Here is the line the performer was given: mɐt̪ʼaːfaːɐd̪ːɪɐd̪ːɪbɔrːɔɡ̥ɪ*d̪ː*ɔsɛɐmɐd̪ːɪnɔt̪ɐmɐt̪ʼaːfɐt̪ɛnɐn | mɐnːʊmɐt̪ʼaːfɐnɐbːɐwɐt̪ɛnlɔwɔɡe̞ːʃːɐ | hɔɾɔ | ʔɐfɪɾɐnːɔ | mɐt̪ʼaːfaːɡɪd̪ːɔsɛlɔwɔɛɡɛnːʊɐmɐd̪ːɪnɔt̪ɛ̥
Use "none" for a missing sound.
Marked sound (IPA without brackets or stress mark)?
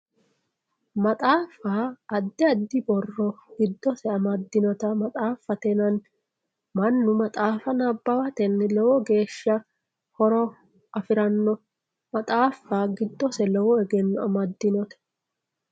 d̪ː